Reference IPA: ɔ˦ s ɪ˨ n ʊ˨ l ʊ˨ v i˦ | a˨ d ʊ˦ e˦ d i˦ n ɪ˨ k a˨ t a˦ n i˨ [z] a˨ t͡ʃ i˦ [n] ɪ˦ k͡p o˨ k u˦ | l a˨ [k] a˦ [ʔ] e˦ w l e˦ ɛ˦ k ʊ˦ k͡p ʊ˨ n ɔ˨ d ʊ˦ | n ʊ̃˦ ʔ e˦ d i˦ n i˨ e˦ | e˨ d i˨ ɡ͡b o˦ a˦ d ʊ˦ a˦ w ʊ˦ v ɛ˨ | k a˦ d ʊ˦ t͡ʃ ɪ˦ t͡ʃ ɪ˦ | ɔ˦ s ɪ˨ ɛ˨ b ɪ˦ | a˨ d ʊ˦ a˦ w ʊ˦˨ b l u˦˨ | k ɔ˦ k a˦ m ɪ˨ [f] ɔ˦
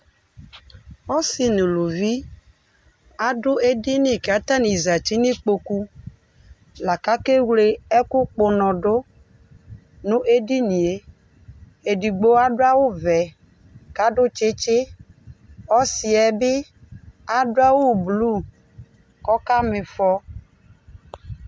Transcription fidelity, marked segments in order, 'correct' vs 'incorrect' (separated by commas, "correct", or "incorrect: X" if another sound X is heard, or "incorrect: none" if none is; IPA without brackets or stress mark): correct, correct, correct, incorrect: k, correct